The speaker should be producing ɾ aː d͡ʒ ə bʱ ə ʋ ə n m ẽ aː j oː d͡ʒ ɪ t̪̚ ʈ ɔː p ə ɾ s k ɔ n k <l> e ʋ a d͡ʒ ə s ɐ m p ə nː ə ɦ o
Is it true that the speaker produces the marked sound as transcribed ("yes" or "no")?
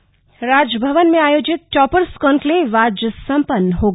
yes